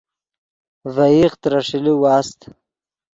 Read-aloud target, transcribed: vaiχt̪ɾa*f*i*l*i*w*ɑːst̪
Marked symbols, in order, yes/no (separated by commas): no, yes, yes